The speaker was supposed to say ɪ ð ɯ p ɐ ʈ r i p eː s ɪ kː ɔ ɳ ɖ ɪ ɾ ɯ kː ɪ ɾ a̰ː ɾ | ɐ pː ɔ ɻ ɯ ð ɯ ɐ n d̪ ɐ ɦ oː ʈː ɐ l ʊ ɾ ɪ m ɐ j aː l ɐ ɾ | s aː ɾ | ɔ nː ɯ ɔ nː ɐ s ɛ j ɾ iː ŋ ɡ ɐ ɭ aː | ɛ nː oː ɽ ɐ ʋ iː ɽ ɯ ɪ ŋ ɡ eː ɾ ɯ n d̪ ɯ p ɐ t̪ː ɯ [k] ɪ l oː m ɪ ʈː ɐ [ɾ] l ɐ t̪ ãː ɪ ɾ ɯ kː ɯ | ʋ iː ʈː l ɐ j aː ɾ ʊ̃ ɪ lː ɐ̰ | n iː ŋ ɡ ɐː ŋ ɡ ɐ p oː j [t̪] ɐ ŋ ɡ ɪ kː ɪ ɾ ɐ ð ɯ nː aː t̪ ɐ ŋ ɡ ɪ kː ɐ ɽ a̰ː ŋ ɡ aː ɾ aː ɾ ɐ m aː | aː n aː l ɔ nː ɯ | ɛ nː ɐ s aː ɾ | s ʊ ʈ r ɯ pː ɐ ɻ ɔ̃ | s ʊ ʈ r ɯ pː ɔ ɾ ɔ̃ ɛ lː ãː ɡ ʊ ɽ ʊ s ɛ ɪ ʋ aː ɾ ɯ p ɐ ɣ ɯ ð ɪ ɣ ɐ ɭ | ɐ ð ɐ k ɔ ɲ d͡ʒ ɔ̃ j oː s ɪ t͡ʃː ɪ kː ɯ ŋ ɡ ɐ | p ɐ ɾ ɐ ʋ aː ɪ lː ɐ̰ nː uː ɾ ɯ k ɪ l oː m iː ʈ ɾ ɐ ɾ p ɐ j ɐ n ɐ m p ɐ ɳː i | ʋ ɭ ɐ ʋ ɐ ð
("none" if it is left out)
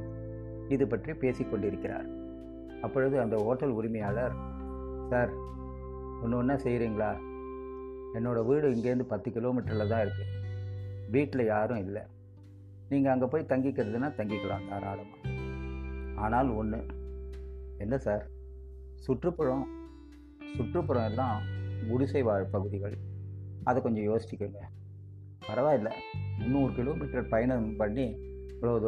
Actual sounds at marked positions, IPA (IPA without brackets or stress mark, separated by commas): k, ɾ, t̪